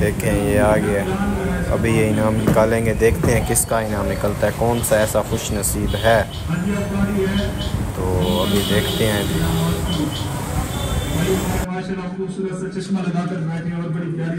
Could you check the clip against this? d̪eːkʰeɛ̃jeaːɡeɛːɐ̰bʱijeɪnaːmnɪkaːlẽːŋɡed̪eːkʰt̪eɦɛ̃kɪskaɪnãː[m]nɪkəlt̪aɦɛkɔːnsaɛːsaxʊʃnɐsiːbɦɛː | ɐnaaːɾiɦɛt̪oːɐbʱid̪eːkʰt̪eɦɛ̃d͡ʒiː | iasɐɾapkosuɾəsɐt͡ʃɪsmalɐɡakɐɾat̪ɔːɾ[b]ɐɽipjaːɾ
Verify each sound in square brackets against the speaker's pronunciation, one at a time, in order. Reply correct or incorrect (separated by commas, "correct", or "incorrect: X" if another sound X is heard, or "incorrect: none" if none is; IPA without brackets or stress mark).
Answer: correct, correct